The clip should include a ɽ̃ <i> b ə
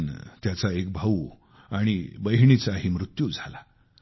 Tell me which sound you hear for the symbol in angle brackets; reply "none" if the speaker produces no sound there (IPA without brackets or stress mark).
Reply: i